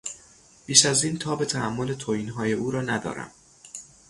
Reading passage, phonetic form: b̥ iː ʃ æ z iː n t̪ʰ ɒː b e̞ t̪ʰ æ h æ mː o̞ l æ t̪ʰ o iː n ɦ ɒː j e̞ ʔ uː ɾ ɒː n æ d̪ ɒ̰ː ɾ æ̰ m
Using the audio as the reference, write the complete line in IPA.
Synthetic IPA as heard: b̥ iː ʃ æ z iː n t̪ʰ ɒː b e̞ t̪ʰ æ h æ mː o̞ l e t̪ʰ o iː n ɦ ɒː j e̞ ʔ uː ɾ ɒː n æ d̪ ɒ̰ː ɾ æ̰ m